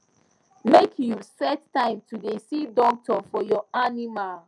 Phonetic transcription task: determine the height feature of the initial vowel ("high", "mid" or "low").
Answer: mid